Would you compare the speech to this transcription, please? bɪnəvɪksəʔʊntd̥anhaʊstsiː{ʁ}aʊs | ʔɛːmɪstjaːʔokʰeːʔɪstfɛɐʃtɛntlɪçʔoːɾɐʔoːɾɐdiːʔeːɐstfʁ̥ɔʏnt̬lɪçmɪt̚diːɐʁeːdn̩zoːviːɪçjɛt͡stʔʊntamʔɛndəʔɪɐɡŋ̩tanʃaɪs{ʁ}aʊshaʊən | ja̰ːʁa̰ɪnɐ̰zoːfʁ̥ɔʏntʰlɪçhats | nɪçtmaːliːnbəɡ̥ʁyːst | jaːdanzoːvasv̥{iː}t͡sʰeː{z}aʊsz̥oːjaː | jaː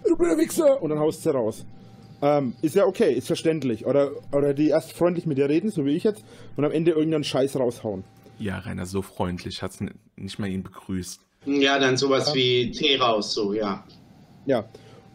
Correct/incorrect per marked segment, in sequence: correct, correct, correct, incorrect: ʁ

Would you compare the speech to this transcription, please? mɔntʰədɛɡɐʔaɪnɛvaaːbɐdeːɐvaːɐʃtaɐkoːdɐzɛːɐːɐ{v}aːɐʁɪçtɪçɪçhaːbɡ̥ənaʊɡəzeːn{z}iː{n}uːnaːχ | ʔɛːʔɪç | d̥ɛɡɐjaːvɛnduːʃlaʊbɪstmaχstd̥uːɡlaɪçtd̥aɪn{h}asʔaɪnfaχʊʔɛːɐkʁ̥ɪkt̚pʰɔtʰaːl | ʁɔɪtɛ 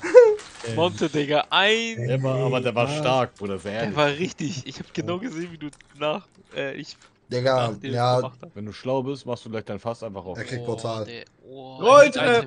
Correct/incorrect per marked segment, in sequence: correct, incorrect: v, incorrect: d, incorrect: f

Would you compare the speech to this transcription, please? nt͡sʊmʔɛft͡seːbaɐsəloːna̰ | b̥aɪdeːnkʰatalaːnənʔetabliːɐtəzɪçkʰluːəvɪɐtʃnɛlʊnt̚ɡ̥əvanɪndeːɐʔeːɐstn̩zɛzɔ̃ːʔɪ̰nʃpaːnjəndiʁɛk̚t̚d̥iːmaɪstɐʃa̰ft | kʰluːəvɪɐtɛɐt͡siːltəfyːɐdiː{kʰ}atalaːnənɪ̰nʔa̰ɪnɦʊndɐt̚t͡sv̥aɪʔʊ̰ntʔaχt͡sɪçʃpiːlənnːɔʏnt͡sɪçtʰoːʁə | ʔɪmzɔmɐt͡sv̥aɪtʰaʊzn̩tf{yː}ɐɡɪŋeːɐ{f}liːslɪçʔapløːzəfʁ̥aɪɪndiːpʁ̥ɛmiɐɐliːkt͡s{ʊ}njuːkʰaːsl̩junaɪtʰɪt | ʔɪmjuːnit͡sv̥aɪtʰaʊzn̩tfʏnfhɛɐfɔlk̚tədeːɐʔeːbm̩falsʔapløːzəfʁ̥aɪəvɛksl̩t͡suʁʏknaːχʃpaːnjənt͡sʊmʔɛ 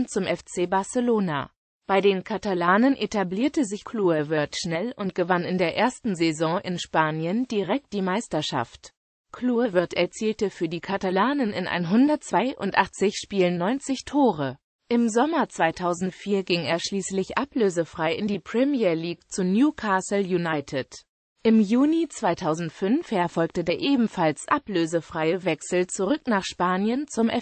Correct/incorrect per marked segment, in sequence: correct, incorrect: iː, incorrect: ʃ, incorrect: u

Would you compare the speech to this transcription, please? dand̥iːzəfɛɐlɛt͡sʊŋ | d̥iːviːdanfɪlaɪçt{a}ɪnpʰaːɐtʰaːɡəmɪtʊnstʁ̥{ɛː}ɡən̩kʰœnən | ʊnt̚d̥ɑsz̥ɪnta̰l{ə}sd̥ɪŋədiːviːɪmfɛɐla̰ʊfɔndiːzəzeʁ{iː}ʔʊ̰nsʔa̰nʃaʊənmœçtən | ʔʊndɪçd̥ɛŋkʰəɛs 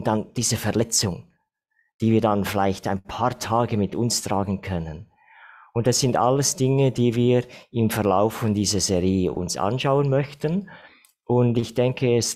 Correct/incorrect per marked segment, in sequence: correct, incorrect: aː, correct, correct

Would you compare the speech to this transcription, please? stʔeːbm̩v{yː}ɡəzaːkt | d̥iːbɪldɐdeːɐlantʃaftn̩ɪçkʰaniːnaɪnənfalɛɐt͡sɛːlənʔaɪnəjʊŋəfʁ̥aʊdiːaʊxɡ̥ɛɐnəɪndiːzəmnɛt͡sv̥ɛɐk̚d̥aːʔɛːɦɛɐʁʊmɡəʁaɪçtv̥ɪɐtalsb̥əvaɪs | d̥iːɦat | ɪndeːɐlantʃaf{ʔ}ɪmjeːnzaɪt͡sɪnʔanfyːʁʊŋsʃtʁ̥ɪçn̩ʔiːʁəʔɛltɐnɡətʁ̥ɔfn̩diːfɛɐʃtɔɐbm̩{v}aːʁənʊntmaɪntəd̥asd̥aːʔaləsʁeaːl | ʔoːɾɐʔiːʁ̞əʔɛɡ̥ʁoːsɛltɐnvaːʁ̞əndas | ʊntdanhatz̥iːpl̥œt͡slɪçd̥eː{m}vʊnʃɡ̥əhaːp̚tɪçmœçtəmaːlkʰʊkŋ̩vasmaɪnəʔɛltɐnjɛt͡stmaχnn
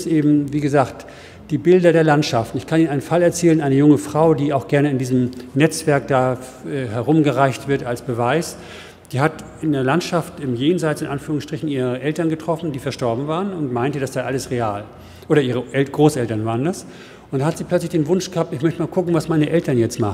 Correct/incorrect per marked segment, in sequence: incorrect: iː, incorrect: t, correct, incorrect: n

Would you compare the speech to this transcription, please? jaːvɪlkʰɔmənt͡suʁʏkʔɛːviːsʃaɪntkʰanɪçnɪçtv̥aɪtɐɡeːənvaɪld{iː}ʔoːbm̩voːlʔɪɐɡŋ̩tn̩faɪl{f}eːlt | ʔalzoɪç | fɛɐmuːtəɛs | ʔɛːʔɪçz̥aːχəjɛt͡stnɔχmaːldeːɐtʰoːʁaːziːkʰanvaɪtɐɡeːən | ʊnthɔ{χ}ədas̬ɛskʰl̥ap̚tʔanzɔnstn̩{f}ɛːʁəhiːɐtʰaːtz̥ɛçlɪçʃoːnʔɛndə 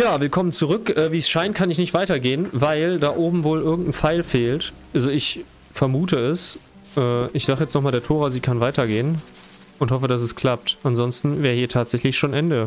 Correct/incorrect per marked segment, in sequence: incorrect: aː, correct, incorrect: f, incorrect: v

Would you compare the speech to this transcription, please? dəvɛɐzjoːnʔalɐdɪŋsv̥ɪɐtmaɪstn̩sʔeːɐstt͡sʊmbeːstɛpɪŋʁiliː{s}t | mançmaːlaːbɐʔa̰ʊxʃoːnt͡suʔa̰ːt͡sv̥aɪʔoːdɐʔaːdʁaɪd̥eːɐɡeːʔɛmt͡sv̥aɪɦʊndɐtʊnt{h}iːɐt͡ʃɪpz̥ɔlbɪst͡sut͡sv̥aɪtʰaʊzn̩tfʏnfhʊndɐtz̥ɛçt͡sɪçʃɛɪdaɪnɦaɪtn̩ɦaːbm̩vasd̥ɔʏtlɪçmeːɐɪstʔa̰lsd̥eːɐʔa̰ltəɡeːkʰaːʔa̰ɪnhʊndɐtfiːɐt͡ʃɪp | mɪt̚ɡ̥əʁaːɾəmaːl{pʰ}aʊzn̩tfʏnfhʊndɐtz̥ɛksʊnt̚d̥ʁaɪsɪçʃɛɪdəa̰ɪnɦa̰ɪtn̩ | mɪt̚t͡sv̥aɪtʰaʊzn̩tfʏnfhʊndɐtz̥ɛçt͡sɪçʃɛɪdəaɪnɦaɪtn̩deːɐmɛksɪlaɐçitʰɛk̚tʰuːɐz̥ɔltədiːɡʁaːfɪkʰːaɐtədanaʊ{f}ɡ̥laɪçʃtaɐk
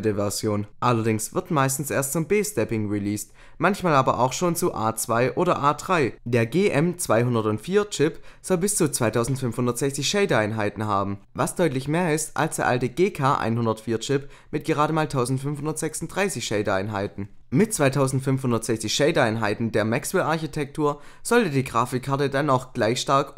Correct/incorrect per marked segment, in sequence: correct, incorrect: f, incorrect: tʰ, incorrect: x

